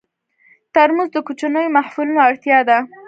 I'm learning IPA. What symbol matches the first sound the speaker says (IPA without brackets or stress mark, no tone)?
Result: t̪